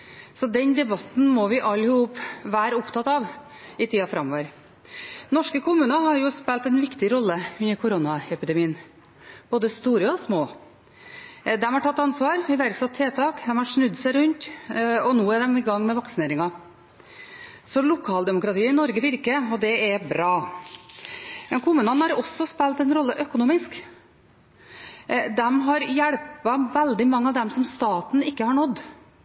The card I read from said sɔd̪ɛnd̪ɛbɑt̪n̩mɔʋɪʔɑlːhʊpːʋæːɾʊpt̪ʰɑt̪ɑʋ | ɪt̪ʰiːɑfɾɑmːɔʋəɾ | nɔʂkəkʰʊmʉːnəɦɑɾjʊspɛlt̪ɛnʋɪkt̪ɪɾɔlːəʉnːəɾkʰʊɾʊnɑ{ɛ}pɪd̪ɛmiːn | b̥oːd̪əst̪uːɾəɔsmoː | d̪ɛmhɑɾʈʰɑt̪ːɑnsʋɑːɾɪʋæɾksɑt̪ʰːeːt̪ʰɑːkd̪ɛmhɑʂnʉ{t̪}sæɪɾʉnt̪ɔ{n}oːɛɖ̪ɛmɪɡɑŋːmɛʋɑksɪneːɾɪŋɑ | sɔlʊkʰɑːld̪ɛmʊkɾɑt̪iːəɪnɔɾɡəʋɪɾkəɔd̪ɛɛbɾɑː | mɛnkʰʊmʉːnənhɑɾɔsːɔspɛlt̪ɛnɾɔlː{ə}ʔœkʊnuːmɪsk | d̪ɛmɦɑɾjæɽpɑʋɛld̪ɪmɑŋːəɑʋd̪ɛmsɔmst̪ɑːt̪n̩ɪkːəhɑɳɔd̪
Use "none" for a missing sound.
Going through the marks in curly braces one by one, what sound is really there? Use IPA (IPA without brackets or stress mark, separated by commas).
ɛ, d̪, n, ə